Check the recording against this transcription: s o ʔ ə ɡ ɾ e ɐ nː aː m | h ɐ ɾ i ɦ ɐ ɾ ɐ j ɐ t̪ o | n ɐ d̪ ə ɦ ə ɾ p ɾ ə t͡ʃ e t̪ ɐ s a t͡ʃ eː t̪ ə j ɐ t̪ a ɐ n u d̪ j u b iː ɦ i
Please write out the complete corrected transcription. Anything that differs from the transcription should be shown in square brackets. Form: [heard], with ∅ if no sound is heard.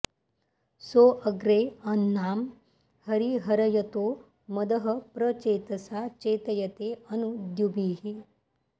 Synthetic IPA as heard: s o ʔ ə ɡ ɾ e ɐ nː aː m | h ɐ ɾ i ɦ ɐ ɾ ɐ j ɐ t̪ o | [m] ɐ d̪ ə ɦ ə [∅] p ɾ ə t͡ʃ e t̪ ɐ s a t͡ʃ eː t̪ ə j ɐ t̪ [e] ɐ n u d̪ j u b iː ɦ i